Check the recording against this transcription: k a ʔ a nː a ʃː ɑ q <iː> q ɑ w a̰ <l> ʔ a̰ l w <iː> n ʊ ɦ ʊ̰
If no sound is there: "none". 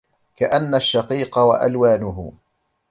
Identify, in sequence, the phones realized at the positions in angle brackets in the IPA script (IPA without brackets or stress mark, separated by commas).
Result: iː, none, aː